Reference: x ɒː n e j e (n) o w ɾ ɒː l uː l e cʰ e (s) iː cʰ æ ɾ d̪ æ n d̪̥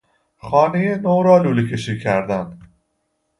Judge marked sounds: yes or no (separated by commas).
yes, no